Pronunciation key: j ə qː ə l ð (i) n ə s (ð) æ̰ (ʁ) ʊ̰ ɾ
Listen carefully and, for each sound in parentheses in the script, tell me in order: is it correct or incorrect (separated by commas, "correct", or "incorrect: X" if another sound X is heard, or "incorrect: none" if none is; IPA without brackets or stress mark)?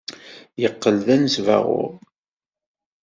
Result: incorrect: æ, incorrect: v, correct